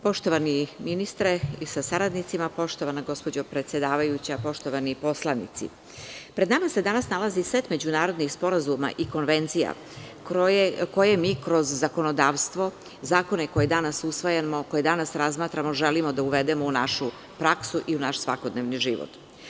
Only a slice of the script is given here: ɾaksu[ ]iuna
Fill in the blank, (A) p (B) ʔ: B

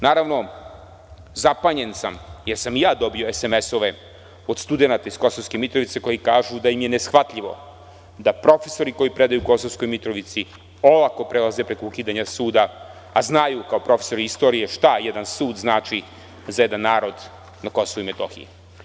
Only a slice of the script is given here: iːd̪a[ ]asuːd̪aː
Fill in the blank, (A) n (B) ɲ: B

